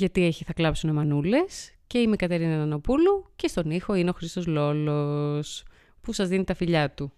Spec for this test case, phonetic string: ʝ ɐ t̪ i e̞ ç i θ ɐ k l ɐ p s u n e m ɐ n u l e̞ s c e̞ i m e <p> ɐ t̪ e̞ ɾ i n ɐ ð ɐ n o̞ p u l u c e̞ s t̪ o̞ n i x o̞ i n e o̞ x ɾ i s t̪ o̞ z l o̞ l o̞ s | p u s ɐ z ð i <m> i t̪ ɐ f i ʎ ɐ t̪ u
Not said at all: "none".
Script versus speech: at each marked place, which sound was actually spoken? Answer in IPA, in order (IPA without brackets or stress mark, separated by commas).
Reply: k, n